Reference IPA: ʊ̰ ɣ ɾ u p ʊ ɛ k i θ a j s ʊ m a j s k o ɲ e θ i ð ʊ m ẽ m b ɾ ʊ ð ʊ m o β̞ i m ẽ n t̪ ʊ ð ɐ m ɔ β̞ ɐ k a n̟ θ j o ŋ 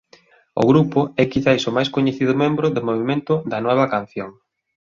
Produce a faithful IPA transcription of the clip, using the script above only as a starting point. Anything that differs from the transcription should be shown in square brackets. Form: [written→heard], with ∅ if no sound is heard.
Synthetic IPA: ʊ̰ ɣ ɾ u p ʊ ɛ k i θ a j s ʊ m a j s k o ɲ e θ i ð ʊ m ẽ m b ɾ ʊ ð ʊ m o β̞ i m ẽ n t̪ ʊ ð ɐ [m→n] ɔ β̞ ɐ k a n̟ θ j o ŋ